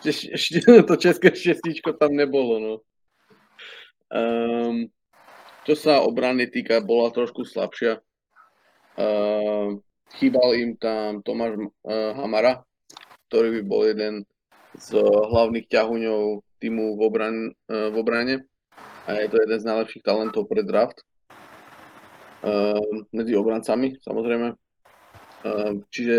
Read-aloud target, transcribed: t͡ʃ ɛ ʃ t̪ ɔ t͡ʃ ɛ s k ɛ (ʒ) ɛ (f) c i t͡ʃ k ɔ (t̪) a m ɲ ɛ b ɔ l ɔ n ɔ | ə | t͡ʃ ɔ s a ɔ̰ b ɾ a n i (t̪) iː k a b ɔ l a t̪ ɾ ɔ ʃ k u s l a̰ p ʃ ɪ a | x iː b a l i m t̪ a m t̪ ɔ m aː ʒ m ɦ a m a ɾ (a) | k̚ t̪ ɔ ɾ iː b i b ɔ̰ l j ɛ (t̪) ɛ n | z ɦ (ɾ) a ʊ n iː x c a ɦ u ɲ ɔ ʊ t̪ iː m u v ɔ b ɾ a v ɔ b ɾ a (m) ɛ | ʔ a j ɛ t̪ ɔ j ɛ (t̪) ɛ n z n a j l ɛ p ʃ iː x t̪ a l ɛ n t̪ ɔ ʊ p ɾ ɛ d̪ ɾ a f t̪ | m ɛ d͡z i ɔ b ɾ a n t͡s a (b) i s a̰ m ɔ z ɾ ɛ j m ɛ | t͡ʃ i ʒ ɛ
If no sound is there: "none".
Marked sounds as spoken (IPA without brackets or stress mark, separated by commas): ʃ, s, t̪, t̪, a, d̪, l, ɲ, d̪, m